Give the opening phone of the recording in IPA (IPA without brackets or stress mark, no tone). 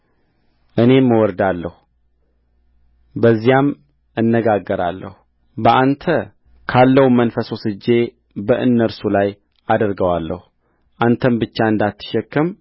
ʔ